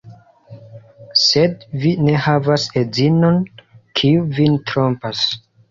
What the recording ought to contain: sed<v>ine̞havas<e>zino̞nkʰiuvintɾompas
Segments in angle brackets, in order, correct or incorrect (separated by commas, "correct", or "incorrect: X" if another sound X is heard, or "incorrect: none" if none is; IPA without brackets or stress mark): correct, correct